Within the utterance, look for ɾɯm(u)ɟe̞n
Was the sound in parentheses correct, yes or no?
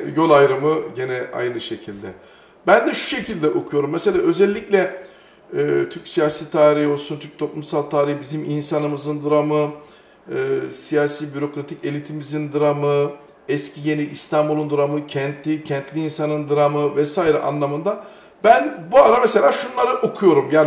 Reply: no